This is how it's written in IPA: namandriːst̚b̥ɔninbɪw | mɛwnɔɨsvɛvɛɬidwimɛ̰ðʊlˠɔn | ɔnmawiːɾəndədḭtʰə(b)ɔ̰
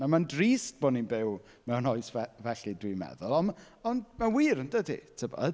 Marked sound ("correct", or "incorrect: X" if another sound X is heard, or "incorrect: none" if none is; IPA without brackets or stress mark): correct